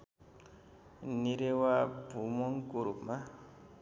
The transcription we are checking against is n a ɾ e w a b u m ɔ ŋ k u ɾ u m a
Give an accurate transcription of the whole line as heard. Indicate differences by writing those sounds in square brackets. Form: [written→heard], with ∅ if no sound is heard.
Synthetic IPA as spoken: n [a→i] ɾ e w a b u m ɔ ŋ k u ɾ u m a